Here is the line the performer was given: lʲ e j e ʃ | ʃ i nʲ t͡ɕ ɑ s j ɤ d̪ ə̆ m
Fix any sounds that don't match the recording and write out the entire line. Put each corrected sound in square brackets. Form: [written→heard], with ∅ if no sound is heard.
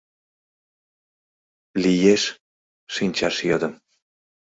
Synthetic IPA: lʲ [e→i] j e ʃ | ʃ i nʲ t͡ɕ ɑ [s→ʃ] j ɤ d̪ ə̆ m